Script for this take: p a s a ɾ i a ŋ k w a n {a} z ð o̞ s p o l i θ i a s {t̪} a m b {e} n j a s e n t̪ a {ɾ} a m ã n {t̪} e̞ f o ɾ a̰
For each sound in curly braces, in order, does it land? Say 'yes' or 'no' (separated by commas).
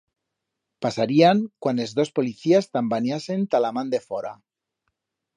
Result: no, yes, no, no, no